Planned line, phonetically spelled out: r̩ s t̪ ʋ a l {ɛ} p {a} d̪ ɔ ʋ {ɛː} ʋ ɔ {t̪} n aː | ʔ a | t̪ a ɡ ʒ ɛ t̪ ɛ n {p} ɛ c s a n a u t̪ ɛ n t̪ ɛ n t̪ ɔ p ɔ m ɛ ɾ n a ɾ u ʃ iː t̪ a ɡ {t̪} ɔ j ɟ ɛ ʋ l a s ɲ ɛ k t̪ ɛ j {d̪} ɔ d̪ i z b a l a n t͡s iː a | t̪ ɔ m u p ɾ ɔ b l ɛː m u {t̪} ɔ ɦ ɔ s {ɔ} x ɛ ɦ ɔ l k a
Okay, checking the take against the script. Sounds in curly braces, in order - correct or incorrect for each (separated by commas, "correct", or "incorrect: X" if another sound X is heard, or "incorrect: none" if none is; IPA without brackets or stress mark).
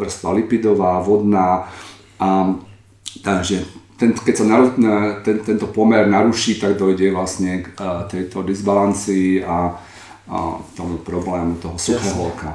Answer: incorrect: i, incorrect: i, incorrect: aː, incorrect: d̪, incorrect: k, incorrect: d̪, incorrect: t̪, correct, incorrect: u